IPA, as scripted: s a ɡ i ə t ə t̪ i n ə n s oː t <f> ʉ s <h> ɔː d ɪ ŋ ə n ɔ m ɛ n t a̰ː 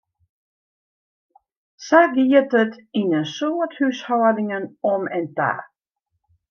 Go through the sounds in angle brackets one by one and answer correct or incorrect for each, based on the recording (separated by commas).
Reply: incorrect, correct